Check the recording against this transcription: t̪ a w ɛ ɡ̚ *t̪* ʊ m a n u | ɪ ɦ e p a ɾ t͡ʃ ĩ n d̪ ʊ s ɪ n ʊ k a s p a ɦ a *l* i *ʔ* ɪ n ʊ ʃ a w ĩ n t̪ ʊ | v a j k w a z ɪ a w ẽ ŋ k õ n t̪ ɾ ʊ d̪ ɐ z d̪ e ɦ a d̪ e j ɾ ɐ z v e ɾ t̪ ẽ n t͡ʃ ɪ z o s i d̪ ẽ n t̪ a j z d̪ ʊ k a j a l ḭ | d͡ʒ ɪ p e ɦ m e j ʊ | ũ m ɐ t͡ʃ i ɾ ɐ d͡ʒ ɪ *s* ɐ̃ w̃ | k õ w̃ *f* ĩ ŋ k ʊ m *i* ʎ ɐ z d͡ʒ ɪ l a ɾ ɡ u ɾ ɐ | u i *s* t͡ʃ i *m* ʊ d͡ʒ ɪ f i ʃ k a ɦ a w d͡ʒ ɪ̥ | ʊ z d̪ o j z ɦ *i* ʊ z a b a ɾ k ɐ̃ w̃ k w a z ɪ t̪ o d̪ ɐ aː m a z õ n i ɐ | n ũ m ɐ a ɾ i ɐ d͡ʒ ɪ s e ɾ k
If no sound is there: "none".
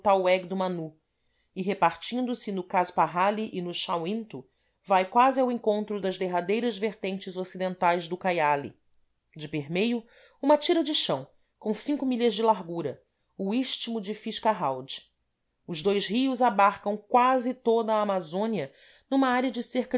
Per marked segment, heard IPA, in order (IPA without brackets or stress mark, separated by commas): d̪, l, ʔ, ʃ, s, i, ʃ, m, i